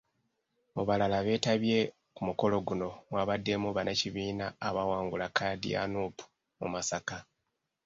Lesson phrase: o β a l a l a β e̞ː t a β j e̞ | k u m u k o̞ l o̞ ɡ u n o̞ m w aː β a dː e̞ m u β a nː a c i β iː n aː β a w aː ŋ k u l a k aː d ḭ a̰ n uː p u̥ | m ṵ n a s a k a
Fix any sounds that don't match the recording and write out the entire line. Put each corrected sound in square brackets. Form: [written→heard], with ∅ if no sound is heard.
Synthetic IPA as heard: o β a l a l a β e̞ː t a β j e̞ | k u m u k o̞ l o̞ ɡ u n o̞ m w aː β a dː e̞ m u β a [nː→n] a c i β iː n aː β a w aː ŋ [k→ɡ] u l a k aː d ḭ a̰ n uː p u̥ | m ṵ [n→m] a s a k a